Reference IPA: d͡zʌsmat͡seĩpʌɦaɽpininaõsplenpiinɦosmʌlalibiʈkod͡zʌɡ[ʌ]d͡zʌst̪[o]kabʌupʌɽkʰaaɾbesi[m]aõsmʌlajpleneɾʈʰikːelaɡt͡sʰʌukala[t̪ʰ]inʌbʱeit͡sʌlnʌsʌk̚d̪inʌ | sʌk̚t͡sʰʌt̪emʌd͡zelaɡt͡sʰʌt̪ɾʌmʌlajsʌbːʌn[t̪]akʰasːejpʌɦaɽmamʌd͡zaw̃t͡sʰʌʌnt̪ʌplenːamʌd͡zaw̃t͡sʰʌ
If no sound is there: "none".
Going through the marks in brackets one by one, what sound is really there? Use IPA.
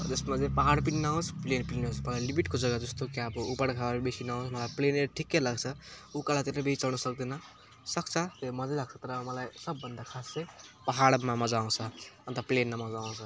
a, o, n, t̪, d̪

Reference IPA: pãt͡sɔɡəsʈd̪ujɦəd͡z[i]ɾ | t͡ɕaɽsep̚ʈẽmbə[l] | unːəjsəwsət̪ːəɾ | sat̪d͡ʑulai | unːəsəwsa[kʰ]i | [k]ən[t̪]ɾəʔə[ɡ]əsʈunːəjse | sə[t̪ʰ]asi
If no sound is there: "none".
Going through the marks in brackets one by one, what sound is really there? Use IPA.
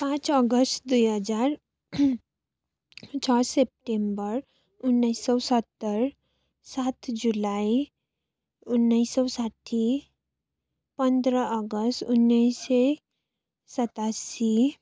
a, ɾ, ʈʰ, p, d̪, ɡ, t̪

